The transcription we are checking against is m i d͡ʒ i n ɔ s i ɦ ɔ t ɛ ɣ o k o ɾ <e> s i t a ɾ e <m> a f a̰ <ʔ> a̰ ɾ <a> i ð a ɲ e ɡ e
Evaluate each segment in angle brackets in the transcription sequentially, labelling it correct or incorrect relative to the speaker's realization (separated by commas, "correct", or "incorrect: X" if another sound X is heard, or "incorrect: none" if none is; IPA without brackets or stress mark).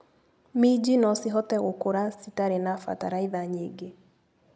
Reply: incorrect: a, incorrect: n, incorrect: t, correct